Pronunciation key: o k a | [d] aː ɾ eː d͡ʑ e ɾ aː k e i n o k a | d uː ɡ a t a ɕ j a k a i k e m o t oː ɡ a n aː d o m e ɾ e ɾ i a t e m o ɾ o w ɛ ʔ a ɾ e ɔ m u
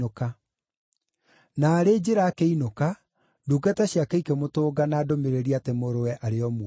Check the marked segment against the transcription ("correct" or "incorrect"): incorrect